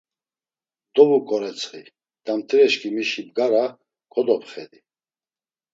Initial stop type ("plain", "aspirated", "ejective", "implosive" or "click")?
plain